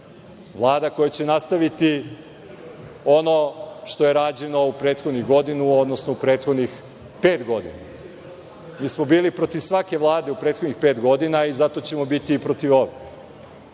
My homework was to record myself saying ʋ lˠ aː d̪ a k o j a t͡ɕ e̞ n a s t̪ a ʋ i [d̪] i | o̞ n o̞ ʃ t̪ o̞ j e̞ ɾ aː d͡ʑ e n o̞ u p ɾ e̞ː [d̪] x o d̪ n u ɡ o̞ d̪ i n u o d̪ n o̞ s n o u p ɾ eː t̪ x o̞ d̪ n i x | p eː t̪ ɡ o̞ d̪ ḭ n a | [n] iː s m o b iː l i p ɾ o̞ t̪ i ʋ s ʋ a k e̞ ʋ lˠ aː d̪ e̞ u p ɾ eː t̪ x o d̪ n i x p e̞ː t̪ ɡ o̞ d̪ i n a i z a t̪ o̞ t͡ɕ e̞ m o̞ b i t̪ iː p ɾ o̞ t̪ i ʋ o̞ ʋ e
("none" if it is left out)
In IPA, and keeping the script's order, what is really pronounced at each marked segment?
t̪, t̪, m

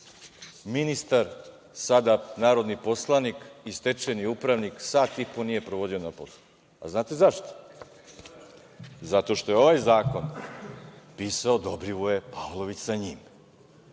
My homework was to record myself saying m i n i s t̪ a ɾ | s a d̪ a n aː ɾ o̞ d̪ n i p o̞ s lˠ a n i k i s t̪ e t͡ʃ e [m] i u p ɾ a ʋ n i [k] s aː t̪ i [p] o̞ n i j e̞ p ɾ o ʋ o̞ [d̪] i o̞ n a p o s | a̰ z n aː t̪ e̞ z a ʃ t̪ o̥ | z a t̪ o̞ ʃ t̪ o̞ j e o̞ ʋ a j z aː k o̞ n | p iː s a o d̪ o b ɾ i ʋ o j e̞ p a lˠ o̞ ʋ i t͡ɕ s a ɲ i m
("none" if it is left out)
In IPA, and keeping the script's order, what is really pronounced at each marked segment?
n, k, p, d̪

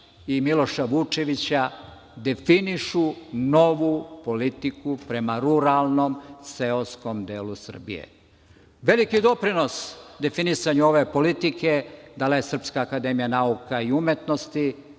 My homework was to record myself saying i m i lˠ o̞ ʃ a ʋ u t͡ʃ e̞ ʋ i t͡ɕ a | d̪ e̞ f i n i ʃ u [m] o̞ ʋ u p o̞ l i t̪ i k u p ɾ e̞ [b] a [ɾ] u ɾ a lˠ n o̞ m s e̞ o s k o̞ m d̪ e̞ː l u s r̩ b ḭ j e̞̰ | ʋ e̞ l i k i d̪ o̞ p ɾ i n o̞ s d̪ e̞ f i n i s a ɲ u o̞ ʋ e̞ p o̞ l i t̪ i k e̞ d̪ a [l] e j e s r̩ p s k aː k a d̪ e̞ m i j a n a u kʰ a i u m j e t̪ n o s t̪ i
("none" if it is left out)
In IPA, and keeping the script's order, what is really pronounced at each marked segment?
n, m, ɾ, l

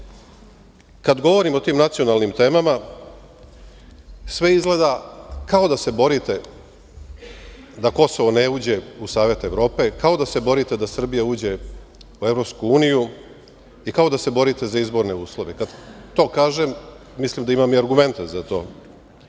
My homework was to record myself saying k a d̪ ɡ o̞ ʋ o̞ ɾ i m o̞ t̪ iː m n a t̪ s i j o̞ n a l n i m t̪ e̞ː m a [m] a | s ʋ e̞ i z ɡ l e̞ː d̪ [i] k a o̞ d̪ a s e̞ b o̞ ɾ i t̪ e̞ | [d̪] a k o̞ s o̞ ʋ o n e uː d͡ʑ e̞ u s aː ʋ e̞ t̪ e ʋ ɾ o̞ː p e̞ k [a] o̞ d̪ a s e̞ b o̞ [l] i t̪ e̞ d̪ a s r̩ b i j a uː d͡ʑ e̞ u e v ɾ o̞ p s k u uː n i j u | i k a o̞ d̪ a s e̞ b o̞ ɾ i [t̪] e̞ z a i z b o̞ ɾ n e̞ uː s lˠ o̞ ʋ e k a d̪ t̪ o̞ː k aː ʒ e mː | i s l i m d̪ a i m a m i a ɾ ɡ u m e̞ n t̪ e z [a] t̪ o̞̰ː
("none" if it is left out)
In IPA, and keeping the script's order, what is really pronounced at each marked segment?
m, a, d̪, a, ɾ, t̪, a

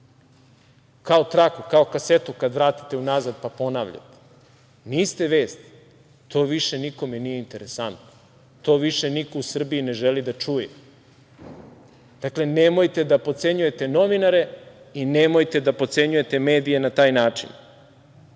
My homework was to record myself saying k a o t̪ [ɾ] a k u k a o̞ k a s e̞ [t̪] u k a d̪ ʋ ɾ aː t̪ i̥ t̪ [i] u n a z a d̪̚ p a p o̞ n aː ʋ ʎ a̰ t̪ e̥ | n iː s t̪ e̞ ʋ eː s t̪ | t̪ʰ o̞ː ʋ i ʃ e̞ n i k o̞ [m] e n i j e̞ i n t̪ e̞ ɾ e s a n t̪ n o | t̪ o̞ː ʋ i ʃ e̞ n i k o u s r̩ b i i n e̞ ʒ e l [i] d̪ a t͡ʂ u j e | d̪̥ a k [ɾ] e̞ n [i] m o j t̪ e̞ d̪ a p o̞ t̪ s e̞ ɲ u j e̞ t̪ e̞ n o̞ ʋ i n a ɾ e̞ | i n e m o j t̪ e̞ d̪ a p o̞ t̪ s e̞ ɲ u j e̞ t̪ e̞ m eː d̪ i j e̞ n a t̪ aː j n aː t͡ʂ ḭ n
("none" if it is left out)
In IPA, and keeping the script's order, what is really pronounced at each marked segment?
ɾ, t̪, e, m, i, l, e

